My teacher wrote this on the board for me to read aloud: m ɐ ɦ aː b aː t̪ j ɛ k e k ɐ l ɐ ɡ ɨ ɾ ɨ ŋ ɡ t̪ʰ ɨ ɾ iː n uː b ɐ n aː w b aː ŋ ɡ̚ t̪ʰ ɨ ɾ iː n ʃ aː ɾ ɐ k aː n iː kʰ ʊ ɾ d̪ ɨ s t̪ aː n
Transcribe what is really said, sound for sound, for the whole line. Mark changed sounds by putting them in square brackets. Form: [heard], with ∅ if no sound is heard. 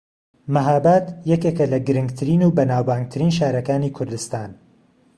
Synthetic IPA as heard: m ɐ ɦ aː b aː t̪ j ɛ k e k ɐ l ɐ ɡ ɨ ɾ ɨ ŋ ɡ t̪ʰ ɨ ɾ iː n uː b ɐ n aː w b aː ŋ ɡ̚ t̪ʰ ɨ ɾ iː n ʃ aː ɾ ɐ k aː n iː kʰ ʊ ɾ d̪ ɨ s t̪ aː n

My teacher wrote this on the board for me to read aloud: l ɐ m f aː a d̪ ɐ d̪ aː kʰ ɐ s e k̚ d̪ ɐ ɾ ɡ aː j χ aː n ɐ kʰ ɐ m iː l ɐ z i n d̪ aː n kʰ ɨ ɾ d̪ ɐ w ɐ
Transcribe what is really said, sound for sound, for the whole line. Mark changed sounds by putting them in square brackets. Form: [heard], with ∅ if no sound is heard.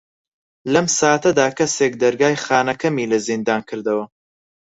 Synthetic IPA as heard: l ɐ m [s] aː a [t̪] ɐ d̪ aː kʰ ɐ s e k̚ d̪ ɐ ɾ ɡ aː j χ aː n ɐ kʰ ɐ m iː l ɐ z i n d̪ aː n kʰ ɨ ɾ d̪ ɐ w ɐ

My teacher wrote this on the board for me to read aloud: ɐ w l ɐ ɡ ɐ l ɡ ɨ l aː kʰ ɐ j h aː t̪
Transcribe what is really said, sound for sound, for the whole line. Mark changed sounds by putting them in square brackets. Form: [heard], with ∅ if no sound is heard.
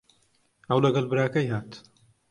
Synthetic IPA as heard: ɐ w l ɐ ɡ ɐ l [b] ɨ [ɾ] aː [k] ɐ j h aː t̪

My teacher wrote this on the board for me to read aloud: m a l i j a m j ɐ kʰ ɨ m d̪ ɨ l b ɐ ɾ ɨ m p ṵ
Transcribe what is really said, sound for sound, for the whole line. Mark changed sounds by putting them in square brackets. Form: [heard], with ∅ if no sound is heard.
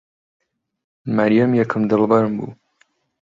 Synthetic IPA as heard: m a [ɾ] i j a m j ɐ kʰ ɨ m d̪ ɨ l b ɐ ɾ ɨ m [b] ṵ

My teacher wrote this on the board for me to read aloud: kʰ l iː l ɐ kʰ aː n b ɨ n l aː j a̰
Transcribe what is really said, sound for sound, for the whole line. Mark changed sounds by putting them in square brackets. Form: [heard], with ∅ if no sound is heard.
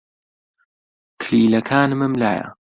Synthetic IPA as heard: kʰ l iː l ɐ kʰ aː n [m] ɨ [m] l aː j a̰

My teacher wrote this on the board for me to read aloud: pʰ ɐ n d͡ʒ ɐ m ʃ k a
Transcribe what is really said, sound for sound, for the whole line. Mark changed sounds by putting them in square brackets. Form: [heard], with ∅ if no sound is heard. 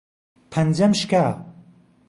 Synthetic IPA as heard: pʰ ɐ n d͡ʒ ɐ m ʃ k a

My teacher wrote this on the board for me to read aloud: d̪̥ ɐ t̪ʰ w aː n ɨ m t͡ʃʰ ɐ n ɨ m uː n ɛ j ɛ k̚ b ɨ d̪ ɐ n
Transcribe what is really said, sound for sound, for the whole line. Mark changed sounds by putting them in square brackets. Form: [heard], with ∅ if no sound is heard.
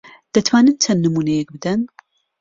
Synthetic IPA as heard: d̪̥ ɐ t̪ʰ w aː n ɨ [n] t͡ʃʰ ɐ [nː] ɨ m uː n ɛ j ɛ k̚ b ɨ d̪ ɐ n

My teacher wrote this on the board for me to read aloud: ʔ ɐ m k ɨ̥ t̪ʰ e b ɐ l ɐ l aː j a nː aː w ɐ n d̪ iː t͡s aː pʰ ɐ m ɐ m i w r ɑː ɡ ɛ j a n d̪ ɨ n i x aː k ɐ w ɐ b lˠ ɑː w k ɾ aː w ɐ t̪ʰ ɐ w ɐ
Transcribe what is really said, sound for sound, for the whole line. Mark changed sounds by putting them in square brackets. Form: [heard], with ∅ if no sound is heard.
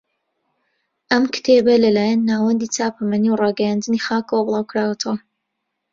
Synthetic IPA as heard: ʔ ɐ m k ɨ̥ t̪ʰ e b ɐ l ɐ l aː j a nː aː w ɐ n d̪ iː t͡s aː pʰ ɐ m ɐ [n] i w r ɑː ɡ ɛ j a n d̪ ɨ n i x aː k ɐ w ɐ b lˠ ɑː w k ɾ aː w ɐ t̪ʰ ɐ w ɐ

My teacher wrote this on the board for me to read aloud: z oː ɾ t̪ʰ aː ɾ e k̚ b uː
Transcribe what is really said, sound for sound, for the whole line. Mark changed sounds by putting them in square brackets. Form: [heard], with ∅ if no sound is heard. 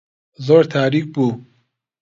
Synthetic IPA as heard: z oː ɾ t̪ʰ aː ɾ [i] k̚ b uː

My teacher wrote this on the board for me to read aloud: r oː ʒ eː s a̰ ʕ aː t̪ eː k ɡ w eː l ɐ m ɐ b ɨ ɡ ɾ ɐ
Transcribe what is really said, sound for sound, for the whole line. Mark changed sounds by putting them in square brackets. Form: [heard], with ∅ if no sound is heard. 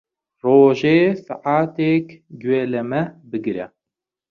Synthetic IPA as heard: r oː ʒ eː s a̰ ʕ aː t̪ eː k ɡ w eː l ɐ m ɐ b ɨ ɡ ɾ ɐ

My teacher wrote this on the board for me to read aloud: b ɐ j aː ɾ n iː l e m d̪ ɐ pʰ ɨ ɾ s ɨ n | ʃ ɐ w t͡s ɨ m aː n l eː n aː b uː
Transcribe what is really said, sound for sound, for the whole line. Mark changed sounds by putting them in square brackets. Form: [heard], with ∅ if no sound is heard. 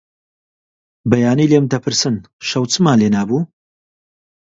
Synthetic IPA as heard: b ɐ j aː [∅] n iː l e m d̪ ɐ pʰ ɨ ɾ s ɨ n | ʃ ɐ w t͡s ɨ m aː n l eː n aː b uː

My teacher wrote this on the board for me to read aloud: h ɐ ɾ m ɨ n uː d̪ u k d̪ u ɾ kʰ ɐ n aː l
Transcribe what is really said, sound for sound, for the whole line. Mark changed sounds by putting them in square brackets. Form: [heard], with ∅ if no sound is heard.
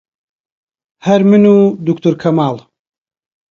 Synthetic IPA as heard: h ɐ ɾ m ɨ n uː d̪ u k [t̪] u ɾ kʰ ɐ [m] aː l

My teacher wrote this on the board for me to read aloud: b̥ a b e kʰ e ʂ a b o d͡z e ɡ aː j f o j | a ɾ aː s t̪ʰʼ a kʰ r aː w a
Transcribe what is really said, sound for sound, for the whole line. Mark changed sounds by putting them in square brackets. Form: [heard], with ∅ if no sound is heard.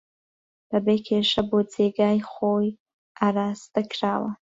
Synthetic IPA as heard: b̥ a b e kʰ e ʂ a b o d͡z e ɡ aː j [χ] o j | a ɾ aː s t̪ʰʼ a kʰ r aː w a

